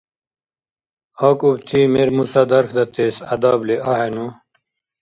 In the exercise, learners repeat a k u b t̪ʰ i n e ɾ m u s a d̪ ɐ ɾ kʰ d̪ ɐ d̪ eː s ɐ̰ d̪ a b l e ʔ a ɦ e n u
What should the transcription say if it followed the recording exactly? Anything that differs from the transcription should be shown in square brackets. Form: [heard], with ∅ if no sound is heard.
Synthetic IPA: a k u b t̪ʰ i [m] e ɾ m u s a d̪ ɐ ɾ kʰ d̪ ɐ [t̪] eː s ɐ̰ d̪ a b l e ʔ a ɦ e n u